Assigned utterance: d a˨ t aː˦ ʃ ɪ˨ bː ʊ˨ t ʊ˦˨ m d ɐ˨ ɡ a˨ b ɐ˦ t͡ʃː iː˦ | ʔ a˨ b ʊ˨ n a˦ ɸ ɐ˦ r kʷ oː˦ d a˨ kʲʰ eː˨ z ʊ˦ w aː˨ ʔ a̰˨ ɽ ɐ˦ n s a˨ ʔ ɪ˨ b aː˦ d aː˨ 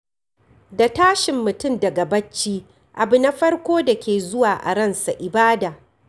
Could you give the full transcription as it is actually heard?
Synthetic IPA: d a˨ t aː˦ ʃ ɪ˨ mː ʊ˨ t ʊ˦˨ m d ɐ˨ ɡ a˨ b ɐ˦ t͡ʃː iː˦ | ʔ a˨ b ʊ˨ n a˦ ɸ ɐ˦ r kʷ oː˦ d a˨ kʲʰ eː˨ z ʊ˦ w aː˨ ʔ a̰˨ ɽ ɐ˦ n s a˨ ʔ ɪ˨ b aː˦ d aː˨